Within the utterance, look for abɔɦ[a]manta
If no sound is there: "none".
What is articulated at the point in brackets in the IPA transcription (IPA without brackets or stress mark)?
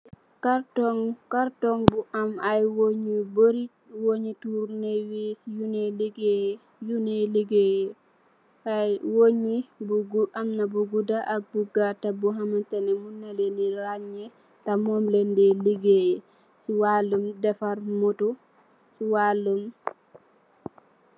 a